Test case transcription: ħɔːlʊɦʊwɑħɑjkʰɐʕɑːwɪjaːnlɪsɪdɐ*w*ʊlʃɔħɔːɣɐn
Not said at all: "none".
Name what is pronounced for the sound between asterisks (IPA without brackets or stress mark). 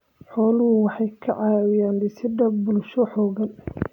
b